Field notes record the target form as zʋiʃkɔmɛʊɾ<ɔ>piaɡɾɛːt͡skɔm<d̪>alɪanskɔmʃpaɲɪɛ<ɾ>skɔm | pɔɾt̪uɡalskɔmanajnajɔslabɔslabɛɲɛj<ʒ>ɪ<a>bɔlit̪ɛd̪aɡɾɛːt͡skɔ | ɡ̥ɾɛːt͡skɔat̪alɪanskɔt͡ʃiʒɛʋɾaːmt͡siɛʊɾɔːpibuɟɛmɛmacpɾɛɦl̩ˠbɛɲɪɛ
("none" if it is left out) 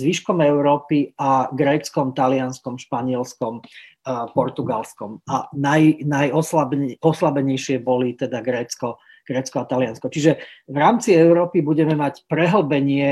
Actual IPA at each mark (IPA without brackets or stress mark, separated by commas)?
ɔː, t̪, l, ʃ, ɛ